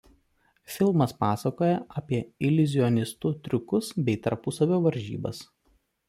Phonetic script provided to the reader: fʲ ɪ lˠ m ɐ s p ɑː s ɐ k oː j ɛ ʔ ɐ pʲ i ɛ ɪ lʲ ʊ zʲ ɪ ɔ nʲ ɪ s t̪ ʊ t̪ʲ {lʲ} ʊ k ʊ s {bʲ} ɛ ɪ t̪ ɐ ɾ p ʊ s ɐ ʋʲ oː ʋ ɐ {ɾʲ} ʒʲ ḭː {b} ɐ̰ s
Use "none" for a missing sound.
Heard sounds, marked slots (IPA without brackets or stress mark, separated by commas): ɾʲ, bʲ, ɾʲ, b